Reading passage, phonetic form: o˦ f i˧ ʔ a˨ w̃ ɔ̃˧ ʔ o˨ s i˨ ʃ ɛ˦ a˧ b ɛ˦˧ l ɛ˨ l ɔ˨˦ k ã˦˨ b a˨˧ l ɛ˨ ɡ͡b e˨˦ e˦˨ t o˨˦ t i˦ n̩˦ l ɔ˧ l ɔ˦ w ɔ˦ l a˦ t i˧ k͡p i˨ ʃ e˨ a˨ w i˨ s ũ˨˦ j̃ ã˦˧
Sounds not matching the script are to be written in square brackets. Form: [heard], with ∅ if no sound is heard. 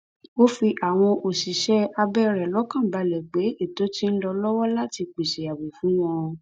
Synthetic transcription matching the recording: o˦ f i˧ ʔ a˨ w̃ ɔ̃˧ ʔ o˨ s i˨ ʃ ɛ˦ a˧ b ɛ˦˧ [ɾ] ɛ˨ l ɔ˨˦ k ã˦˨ b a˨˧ l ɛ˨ ɡ͡b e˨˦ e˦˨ t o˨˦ t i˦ n̩˦ l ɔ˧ l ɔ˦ w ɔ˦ l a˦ t i˧ k͡p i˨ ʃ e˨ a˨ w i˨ [f] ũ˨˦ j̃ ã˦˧